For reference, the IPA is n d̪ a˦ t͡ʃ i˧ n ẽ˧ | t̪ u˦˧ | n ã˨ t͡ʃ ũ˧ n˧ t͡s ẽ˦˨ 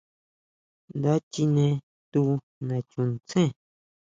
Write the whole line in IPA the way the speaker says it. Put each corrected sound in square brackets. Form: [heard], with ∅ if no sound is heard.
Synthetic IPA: n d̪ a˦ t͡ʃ i˧ n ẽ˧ | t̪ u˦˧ | n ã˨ t͡ʃ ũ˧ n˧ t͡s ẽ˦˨